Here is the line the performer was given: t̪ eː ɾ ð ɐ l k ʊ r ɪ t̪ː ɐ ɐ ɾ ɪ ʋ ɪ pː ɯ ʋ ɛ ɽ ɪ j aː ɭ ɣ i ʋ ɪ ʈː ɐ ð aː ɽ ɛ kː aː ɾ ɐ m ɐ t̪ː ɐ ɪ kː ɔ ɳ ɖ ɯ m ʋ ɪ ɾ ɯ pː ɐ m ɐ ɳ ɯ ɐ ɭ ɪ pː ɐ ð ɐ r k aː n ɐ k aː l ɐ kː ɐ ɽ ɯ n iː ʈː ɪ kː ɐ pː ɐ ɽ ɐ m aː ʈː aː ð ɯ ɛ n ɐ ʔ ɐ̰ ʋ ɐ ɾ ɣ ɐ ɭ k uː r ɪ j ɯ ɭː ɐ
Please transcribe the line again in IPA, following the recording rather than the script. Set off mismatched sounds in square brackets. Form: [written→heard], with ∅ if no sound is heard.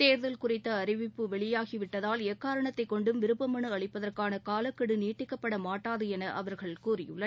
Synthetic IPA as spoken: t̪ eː ɾ ð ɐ l k ʊ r ɪ t̪ː ɐ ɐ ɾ ɪ ʋ ɪ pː ɯ ʋ ɛ [ɽ→ɭ] ɪ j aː [ɭ→∅] ɣ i ʋ ɪ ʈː ɐ ð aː [ɽ→l] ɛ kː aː ɾ ɐ [m→ɳ] ɐ t̪ː ɐ ɪ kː ɔ ɳ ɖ ɯ m ʋ ɪ ɾ ɯ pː ɐ m ɐ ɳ ɯ ɐ ɭ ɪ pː ɐ ð ɐ r k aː n ɐ k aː l ɐ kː ɐ ɽ ɯ n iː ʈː ɪ kː ɐ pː ɐ ɽ ɐ m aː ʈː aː ð ɯ ɛ n ɐ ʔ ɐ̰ ʋ ɐ ɾ ɣ ɐ ɭ k uː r ɪ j ɯ ɭː ɐ